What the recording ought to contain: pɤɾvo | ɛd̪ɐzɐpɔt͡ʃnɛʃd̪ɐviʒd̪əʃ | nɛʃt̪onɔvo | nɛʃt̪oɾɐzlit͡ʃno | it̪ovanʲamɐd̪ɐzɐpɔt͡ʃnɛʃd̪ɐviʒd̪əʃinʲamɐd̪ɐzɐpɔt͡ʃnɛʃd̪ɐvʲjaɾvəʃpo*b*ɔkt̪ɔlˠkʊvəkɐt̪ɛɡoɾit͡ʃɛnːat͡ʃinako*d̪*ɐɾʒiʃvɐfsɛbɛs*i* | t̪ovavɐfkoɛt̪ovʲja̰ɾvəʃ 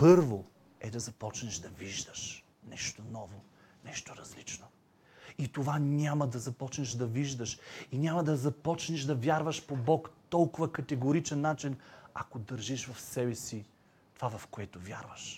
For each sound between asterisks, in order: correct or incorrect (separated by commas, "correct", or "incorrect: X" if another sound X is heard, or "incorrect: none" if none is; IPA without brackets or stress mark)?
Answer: correct, correct, correct